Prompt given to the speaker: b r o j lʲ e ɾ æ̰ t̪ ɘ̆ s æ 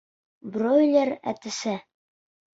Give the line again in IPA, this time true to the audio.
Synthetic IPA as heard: b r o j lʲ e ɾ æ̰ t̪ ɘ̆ s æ